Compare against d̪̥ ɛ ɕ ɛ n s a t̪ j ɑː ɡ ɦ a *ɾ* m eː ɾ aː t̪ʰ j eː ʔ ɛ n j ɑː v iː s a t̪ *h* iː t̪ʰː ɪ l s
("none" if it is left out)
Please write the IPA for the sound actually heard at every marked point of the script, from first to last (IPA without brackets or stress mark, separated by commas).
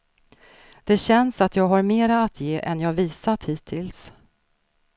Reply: ɾ, h